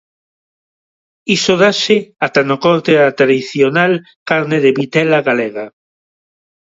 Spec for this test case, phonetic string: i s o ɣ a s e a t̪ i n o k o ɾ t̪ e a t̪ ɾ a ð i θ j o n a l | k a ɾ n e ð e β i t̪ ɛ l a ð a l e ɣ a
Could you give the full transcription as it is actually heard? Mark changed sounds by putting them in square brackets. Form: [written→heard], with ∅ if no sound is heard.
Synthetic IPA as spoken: i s o [ɣ→ð] a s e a t̪ [i→a] n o k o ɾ t̪ e a t̪ ɾ a ð i θ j o n a l | k a ɾ n e ð e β i t̪ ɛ l a [ð→ɣ] a l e ɣ a